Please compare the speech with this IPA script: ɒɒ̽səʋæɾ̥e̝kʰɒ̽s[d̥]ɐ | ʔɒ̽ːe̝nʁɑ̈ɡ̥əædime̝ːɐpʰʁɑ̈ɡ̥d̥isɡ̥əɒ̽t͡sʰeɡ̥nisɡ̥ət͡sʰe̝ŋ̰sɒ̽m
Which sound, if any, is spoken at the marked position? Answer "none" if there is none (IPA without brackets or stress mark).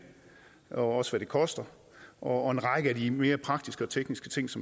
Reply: d̥